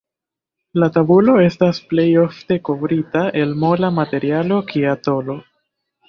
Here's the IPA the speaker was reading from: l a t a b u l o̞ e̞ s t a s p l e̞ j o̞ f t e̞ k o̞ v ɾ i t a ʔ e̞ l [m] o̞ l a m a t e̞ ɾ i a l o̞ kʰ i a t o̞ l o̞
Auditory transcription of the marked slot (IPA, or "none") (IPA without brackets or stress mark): m